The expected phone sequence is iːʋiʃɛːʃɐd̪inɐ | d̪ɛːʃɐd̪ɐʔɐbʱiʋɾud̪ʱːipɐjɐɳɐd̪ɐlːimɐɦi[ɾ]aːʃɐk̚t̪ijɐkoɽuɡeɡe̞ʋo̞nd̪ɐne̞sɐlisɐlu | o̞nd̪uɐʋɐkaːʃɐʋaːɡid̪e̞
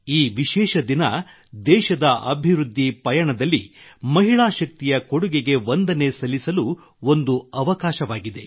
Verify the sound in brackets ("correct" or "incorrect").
incorrect